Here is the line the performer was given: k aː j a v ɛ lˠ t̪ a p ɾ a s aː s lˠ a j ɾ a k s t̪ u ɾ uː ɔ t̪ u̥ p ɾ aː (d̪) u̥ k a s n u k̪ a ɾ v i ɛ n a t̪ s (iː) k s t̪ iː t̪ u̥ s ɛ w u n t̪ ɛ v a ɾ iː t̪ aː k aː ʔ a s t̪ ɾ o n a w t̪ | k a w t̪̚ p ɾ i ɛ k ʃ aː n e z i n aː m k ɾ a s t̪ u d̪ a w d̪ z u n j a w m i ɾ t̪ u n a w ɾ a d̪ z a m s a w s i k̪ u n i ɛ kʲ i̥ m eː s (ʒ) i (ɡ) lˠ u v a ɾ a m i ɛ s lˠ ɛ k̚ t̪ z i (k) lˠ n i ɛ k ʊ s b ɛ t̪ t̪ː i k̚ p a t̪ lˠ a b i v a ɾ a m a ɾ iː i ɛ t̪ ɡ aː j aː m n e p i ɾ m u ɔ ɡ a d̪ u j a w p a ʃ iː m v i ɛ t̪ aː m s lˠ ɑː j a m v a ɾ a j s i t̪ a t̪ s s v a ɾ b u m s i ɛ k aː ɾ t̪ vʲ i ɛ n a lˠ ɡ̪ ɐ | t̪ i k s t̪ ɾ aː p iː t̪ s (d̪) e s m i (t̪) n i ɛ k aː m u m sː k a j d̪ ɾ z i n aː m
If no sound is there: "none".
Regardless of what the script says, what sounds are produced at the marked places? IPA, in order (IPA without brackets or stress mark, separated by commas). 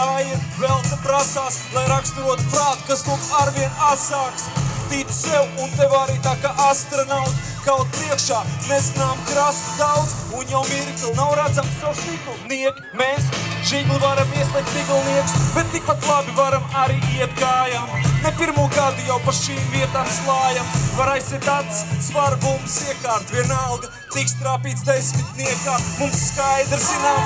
t̪, aː, ʒ, ɡ, ɡ, d̪, t̪